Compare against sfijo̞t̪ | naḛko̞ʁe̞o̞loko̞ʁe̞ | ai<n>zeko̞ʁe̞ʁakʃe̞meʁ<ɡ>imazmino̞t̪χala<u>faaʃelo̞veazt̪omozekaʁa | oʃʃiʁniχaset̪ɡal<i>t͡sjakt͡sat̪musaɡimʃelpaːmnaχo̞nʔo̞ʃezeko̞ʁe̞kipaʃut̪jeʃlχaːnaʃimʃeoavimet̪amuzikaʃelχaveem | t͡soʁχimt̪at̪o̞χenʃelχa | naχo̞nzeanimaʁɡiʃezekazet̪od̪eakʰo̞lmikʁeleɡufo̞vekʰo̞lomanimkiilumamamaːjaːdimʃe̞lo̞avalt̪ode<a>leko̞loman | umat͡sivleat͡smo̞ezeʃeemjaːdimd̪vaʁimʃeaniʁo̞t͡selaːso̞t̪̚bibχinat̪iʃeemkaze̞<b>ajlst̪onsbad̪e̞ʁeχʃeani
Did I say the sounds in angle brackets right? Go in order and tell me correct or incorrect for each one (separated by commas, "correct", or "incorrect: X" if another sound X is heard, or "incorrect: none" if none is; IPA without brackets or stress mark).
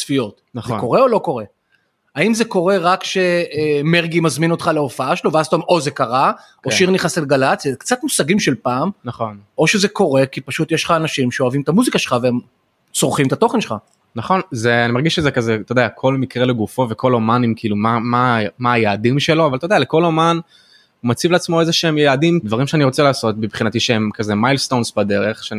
incorrect: m, correct, incorrect: o, incorrect: a, correct, incorrect: m